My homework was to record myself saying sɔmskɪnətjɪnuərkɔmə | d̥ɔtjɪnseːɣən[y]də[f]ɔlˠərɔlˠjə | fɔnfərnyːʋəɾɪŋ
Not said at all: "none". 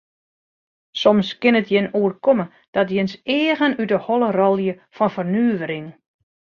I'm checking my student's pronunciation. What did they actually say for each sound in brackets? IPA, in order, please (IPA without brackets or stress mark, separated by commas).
y, h